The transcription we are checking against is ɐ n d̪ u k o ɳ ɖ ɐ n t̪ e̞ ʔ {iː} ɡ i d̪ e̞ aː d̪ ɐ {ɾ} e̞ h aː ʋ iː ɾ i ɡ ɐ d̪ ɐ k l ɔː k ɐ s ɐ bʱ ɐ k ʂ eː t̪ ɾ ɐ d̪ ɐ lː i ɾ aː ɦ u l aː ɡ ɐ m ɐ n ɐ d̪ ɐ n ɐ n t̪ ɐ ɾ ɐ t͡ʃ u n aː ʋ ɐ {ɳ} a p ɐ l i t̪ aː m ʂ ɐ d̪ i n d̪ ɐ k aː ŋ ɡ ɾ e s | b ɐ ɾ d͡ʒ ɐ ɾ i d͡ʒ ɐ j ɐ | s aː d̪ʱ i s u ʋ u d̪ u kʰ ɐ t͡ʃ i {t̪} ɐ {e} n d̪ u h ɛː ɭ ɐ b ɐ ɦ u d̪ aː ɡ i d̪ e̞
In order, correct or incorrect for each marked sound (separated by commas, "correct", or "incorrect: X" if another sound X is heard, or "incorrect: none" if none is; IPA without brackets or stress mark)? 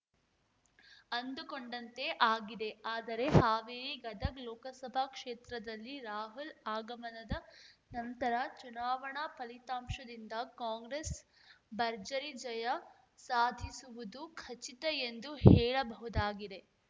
incorrect: aː, correct, correct, correct, correct